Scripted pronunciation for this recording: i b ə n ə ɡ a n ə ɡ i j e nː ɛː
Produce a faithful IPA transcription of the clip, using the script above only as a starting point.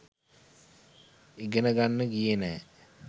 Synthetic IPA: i ɡ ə n ə ɡ a nː ə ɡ i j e n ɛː